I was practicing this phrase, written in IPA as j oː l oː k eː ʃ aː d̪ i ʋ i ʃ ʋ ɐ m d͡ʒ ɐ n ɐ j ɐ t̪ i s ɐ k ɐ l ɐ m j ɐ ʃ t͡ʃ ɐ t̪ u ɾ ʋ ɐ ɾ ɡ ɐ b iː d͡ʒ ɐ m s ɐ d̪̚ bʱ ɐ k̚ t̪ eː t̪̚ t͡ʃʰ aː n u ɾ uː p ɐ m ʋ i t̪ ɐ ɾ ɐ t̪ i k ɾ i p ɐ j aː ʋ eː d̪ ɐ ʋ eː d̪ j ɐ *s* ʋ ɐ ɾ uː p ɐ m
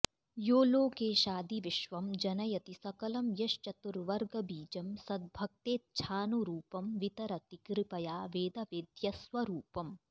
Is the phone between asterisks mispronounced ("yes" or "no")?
no